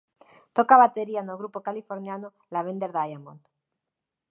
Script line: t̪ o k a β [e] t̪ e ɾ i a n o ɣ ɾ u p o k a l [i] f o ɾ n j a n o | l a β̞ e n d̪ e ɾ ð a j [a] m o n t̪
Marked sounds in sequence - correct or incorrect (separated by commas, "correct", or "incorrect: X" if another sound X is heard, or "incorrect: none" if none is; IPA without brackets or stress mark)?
incorrect: a, correct, correct